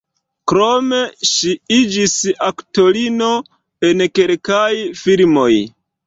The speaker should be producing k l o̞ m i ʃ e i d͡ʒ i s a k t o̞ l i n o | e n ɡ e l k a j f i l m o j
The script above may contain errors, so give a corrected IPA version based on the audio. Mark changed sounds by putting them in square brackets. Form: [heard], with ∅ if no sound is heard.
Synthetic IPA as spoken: k [ɾ] o̞ m [e] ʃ [i] i d͡ʒ i s a k t o̞ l i n o | e n [k] e l k a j f i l m o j